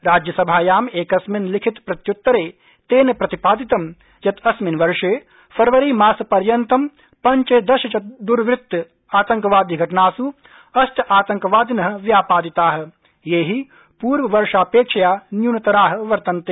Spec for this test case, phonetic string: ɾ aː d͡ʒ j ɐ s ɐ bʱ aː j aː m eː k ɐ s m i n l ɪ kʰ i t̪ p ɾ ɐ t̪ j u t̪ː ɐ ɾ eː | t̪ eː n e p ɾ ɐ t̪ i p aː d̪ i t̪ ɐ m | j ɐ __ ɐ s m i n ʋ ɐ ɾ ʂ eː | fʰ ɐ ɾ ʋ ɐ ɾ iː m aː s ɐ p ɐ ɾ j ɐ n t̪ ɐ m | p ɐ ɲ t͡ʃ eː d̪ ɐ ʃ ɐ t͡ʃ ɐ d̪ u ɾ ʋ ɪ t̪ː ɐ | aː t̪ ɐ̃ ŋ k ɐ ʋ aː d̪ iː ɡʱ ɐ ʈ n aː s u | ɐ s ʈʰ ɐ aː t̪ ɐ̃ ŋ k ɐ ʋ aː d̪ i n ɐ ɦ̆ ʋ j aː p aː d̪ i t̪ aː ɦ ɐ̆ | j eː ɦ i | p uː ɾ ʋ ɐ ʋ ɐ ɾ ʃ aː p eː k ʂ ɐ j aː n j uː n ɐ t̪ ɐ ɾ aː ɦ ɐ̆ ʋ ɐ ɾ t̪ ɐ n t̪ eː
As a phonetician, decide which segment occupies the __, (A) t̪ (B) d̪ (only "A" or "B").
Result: A